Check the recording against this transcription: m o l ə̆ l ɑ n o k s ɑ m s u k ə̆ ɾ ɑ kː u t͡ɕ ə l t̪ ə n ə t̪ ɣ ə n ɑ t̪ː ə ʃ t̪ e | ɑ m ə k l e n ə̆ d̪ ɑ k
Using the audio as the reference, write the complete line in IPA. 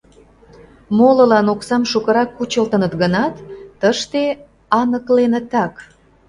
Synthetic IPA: m o l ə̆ l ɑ n o k s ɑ m ʃ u k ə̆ ɾ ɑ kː u t͡ɕ ə l t̪ ə n ə t̪ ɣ ə n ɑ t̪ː ə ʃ t̪ e | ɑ n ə k l e n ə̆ t̪ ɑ k